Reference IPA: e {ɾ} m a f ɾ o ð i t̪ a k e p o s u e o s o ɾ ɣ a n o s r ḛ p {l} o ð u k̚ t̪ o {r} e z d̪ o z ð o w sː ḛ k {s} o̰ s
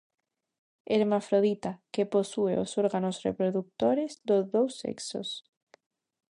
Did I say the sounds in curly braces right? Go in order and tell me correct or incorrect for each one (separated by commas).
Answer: correct, incorrect, incorrect, correct